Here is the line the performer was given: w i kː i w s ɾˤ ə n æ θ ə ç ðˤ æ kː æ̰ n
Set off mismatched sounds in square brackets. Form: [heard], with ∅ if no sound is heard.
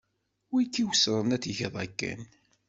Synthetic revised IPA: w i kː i w s ɾˤ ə n æ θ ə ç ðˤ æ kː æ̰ n